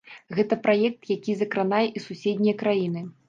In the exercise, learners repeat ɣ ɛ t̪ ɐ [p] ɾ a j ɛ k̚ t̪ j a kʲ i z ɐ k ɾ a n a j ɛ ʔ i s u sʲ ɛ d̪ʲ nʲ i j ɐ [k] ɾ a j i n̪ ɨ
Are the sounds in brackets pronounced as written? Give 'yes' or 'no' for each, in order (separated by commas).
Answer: yes, yes